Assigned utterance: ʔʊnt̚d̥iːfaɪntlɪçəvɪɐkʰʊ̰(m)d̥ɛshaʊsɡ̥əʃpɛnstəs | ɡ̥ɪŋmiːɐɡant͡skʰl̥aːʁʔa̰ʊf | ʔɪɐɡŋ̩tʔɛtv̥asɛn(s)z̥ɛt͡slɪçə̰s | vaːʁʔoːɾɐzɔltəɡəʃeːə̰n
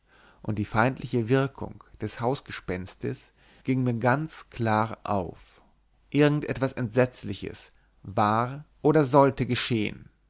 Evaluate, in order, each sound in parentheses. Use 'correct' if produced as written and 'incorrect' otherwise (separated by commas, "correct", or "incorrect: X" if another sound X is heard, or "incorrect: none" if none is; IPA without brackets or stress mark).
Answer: incorrect: ŋ, incorrect: t